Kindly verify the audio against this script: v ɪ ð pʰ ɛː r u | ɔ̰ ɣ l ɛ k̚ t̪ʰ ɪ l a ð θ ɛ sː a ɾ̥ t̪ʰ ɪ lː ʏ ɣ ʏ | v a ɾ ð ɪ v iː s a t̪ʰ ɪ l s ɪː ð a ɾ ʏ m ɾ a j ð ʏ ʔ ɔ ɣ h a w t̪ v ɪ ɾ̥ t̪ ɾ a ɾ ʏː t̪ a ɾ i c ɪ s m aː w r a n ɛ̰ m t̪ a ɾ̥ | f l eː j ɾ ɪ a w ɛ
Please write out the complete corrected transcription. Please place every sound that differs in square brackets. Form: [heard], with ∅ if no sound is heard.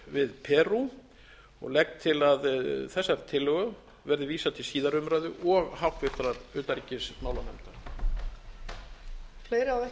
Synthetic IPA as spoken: v ɪ ð pʰ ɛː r u | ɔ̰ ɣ l ɛ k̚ t̪ʰ ɪ l a ð θ ɛ sː a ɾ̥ t̪ʰ ɪ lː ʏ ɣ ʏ | v [ɛ] ɾ ð ɪ v iː s a t̪ʰ ɪ l s [iː] ð a ɾ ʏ m ɾ a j ð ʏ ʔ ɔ ɣ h a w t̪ v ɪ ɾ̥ t̪ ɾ a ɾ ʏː t̪ a ɾ i c ɪ s m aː w [l] a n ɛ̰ m t̪ a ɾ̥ | f l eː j ɾ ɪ a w ɛ

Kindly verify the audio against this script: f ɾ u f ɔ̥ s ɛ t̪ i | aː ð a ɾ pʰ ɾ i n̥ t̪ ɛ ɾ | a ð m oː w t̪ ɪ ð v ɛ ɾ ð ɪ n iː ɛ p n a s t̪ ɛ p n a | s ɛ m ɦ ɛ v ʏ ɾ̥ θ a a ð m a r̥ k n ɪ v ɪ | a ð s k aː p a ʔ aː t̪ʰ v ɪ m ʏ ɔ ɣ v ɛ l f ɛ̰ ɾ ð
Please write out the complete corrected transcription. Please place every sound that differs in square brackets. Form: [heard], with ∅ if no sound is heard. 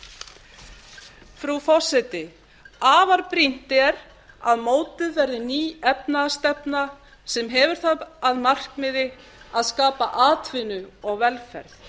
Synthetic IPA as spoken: f ɾ u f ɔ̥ s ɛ t̪ [ɪ] | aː [v] a ɾ [p] ɾ i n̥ t̪ ɛ ɾ | a ð m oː w t̪ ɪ ð v ɛ ɾ ð ɪ n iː ɛ p n a s t̪ ɛ p n a | s ɛ m ɦ ɛ v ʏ ɾ̥ θ a a ð m a r̥ k [m] ɪ [ð] ɪ | a ð s k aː p a ʔ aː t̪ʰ v ɪ [n] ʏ ɔ ɣ v ɛ l f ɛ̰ ɾ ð

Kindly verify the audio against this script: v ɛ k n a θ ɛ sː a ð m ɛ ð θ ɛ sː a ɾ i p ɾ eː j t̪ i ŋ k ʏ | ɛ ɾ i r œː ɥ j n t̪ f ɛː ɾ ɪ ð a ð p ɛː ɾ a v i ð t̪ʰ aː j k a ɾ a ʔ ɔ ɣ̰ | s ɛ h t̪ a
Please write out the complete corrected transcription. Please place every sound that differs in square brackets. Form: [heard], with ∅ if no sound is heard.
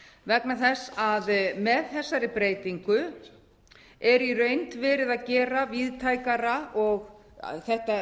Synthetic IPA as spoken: v ɛ k n a θ ɛ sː a ð m ɛ ð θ ɛ sː a ɾ [ɪ] p ɾ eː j t̪ i ŋ k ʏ | ɛ ɾ i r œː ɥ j n t̪ [v] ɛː ɾ ɪ ð a ð [c] ɛː ɾ a v i ð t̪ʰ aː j k a ɾ a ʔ ɔ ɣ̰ | [θ] ɛ h t̪ a

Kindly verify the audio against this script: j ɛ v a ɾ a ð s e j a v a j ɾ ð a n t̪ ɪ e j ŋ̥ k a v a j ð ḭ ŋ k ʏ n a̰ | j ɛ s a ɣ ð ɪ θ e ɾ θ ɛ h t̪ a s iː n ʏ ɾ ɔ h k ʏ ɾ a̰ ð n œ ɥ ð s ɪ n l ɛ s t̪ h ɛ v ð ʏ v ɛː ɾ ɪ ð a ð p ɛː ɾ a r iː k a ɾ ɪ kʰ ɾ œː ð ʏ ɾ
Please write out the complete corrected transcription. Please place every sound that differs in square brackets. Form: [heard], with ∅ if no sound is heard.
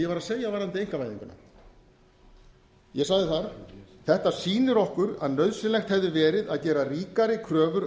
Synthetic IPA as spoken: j ɛ v a ɾ a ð s e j a v a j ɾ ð a n t̪ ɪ e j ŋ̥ k a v a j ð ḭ ŋ k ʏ n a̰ | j ɛ s a ɣ ð ɪ θ [a] ɾ θ ɛ h t̪ a s iː n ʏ ɾ ɔ h k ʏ ɾ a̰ ð n œ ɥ ð s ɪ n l ɛ [x] t̪ h ɛ v ð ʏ v ɛː ɾ ɪ ð a ð [c] ɛː ɾ a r iː k a ɾ ɪ kʰ ɾ œː [v] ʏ ɾ

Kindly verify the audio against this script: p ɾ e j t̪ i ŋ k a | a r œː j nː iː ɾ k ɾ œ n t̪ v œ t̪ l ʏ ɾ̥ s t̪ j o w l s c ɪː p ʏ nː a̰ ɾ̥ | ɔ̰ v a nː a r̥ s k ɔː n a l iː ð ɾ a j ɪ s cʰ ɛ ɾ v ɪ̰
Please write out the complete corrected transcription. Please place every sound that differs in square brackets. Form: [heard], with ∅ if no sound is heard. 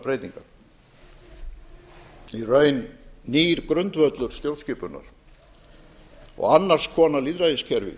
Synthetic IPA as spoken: p ɾ e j t̪ i ŋ k a | [i] r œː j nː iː ɾ k ɾ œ n t̪ v œ t̪ l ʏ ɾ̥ s t̪ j o w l s c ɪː p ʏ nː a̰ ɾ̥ | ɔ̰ [ɣ] a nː a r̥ s [kʰ] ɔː n a l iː ð ɾ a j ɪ s cʰ ɛ ɾ v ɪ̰

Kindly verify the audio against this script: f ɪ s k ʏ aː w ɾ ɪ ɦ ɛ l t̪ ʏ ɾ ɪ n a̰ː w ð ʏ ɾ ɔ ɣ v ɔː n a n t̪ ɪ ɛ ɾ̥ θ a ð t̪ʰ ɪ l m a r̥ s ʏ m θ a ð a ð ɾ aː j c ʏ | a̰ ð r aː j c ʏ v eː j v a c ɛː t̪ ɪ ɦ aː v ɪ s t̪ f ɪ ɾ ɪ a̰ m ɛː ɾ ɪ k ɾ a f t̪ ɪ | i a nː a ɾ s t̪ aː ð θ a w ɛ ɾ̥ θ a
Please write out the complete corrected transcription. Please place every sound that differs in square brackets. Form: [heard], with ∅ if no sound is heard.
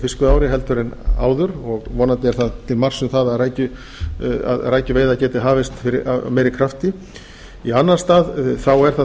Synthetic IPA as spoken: f ɪ s k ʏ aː w ɾ ɪ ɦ ɛ l t̪ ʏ ɾ ɪ n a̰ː w ð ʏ ɾ ɔ ɣ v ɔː n a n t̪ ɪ ɛ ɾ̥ θ a ð t̪ʰ ɪ l m a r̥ s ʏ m θ a ð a ð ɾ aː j c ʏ | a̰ ð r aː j c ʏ v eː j [ð] a c ɛː t̪ ɪ ɦ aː v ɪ s t̪ f ɪ ɾ ɪ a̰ m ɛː ɾ ɪ [kʰ] ɾ a f t̪ ɪ | i a nː a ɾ s t̪ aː ð θ a w ɛ ɾ̥ θ a

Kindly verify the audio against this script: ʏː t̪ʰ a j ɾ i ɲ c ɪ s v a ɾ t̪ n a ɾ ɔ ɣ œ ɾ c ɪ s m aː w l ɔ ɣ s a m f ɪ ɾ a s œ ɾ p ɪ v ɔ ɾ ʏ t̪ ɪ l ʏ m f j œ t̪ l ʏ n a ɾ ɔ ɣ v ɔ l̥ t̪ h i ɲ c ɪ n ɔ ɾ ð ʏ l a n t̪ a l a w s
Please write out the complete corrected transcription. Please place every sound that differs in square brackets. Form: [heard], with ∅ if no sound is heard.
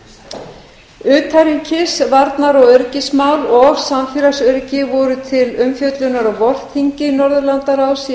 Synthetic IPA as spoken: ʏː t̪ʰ a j ɾ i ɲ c ɪ s v a ɾ t̪ n a ɾ ɔ ɣ œ ɾ c ɪ s m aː w l ɔ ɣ s a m f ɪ ɾ a s œ ɾ [c] ɪ v ɔ ɾ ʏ [t̪ʰ] ɪ l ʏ m f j œ t̪ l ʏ n a ɾ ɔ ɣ v ɔ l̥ t̪ h i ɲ c ɪ n ɔ ɾ ð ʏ l a n t̪ a [ɾ] a w s

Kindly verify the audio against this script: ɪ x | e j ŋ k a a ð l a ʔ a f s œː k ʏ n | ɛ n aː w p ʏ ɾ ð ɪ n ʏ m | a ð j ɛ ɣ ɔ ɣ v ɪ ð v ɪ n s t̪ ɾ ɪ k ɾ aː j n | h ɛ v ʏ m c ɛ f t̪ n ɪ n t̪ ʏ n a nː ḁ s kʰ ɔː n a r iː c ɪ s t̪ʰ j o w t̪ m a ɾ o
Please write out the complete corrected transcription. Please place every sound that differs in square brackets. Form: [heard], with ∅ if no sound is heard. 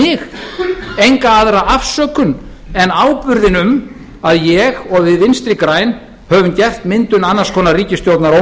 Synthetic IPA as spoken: ɪ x | e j ŋ k a a ð [ɾ] a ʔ a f s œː k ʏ n | ɛ n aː w p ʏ ɾ ð ɪ n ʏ m | a ð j ɛ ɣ ɔ ɣ v ɪ ð v ɪ n s t̪ ɾ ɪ k ɾ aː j n | h [œ] v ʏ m c ɛ f t̪ [m] ɪ n t̪ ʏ n a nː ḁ s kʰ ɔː n a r iː c ɪ s [t̪] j o w t̪ [n] a ɾ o

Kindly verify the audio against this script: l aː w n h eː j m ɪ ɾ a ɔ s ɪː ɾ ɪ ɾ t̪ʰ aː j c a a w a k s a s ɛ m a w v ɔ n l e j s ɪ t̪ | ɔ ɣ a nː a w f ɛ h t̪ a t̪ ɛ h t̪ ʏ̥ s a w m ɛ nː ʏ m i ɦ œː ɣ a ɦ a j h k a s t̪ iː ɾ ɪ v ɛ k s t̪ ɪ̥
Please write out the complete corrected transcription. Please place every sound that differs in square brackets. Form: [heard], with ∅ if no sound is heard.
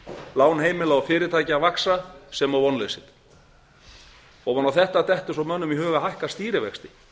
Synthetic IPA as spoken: l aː w n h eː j m ɪ [l] a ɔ [f] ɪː ɾ ɪ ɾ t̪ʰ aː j c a a [v] a k s a s ɛ m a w v ɔ n l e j s ɪ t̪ | ɔ ɣ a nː a w [θ] ɛ h t̪ a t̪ ɛ h t̪ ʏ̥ s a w m [œ] nː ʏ m i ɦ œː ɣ a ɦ a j h k a s t̪ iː ɾ ɪ v ɛ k s t̪ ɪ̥

